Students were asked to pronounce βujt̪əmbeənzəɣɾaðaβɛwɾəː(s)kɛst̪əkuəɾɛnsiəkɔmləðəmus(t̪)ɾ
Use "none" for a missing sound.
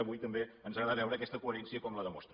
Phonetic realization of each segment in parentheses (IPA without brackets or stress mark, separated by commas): none, t̪